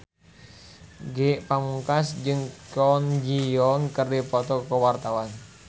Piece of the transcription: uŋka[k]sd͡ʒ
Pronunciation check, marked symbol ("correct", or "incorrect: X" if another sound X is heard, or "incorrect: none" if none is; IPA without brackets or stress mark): incorrect: none